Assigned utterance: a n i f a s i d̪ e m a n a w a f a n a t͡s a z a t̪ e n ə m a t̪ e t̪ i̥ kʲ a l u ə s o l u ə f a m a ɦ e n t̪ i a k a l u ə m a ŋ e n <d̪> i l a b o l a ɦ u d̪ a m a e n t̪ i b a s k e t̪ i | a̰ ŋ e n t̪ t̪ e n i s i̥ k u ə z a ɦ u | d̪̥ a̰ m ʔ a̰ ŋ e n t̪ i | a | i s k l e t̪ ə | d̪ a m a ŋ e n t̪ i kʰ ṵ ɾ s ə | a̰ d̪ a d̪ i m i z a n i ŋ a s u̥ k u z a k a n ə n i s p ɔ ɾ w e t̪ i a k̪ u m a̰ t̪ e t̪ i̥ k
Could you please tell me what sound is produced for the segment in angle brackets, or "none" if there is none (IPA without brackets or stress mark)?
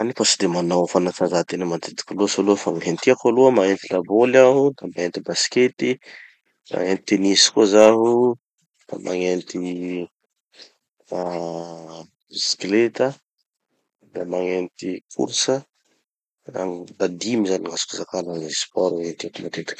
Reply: t̪